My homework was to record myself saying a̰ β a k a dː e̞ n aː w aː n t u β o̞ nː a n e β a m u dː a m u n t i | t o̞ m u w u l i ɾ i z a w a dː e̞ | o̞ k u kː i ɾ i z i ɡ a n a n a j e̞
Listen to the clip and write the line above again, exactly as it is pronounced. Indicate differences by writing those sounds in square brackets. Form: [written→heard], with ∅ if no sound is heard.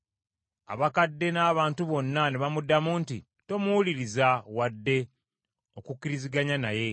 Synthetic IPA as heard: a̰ β a k a dː e̞ n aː [w→β] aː n t u β o̞ nː a n e β a m u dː a m u n t i | t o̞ m u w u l i ɾ i z a w a dː e̞ | o̞ k u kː i ɾ i z i ɡ a [n→ɲ] a n a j e̞